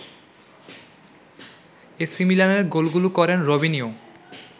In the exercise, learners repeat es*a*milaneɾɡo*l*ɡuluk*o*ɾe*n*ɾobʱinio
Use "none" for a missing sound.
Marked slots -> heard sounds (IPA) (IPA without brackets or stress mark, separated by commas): i, l, ɔ, n